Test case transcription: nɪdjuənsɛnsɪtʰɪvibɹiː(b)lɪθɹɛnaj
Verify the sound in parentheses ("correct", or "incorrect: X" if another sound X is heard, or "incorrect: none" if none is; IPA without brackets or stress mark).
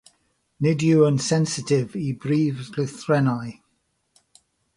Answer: incorrect: v